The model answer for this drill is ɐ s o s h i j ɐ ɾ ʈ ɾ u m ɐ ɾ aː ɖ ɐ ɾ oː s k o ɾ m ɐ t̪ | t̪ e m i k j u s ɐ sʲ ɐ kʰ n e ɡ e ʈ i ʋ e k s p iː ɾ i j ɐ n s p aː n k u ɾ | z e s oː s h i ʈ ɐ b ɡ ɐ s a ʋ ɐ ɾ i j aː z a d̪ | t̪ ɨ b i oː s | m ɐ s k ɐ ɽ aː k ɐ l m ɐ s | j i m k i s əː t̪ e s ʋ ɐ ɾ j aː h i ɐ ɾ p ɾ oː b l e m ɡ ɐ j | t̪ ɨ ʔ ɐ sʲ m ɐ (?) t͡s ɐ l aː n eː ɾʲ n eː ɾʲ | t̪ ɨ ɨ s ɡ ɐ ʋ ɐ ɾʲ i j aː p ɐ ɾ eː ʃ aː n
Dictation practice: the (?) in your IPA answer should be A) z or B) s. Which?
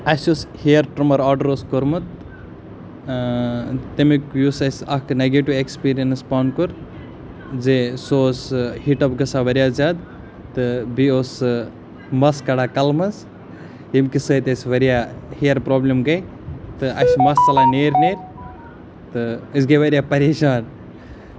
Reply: B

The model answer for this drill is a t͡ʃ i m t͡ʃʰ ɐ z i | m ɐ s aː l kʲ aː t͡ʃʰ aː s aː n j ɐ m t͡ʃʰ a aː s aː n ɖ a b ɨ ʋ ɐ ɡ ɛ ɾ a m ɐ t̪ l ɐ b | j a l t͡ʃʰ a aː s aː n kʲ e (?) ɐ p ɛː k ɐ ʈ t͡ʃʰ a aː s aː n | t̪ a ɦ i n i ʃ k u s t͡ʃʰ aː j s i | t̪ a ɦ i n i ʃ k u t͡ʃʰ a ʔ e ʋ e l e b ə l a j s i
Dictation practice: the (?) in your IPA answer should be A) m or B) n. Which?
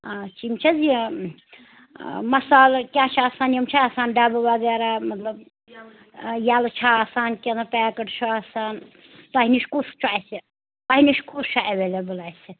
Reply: B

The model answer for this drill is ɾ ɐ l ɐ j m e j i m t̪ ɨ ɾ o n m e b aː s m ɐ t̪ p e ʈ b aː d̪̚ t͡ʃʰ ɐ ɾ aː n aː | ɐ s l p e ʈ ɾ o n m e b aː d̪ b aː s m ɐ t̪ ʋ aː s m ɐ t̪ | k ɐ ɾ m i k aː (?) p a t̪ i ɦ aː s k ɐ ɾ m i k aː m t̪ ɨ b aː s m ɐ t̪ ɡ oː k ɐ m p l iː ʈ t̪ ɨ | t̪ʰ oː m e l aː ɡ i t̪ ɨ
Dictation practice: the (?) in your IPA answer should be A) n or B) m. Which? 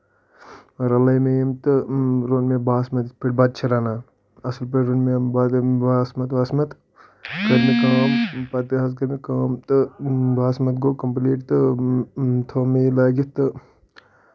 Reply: B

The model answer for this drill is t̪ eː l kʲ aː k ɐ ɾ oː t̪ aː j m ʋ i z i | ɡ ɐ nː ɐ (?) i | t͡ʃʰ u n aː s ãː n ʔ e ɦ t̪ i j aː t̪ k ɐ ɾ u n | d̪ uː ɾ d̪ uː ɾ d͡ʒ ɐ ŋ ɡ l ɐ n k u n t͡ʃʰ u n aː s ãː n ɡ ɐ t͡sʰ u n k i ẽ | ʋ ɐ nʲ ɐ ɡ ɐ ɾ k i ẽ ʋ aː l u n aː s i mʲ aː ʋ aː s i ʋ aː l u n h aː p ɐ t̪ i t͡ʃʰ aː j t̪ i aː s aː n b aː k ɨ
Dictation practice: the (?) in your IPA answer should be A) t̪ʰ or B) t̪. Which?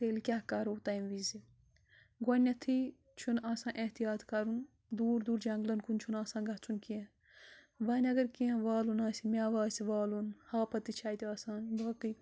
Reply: A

